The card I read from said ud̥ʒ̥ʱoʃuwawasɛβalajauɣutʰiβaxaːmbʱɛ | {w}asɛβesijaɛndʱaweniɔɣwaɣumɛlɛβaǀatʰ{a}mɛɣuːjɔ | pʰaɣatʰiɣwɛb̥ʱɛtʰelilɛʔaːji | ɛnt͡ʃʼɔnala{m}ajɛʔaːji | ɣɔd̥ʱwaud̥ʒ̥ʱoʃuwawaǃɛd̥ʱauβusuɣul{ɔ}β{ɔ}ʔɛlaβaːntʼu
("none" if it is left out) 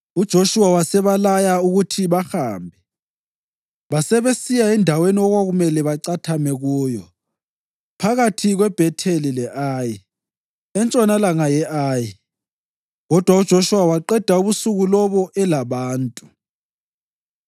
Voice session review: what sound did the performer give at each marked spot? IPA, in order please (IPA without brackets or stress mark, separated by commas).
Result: β, a, ŋ, ɔ, ɔ